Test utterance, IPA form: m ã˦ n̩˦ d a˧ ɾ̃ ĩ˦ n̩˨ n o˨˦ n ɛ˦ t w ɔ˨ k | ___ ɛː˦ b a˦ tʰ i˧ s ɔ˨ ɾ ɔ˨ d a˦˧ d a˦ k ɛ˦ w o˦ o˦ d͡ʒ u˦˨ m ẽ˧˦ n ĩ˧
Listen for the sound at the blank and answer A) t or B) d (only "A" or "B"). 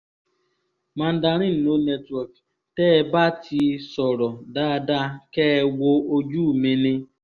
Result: A